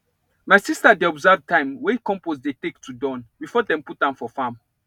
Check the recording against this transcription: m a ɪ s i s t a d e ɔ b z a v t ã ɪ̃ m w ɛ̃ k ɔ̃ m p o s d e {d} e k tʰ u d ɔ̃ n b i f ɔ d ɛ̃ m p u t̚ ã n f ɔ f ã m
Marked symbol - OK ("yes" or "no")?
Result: no